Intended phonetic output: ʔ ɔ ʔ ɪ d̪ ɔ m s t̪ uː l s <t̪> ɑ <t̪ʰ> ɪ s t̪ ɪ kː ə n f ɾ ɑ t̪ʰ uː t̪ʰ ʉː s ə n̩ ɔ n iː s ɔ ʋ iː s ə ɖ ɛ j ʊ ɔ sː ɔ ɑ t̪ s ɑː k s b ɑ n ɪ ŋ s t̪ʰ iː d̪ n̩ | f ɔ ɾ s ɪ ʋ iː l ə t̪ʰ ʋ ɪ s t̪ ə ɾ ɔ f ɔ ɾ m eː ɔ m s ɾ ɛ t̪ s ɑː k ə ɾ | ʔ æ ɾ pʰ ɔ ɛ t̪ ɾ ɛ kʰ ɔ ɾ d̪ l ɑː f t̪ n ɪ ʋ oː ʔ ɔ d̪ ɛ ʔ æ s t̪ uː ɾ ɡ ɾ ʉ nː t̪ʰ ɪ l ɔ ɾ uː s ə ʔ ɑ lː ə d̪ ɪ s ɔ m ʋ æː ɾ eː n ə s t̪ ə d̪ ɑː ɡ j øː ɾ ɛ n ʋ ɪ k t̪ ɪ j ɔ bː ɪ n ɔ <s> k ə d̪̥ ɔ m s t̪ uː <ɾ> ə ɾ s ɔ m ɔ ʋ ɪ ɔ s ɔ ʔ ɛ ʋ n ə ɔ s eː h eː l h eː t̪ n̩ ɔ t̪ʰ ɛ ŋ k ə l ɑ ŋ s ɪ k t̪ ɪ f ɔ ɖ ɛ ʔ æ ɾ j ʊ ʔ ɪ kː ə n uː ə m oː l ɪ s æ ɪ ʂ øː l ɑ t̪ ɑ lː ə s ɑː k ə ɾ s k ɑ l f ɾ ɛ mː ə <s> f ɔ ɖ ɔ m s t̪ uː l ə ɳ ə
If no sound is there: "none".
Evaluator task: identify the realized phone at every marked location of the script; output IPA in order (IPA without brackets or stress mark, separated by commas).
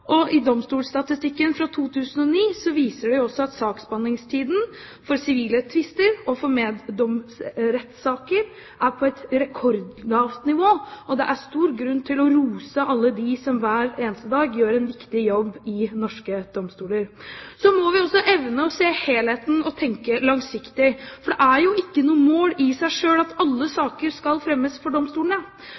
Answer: t̪, t̪, ʂ, l, s